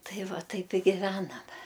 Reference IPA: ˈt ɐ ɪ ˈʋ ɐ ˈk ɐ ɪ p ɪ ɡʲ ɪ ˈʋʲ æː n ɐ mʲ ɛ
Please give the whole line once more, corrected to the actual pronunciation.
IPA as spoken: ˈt ɐ ɪ ˈʋ ɐ ˈt ɐ ɪ p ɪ ɡʲ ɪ ˈʋʲ æː n ɐ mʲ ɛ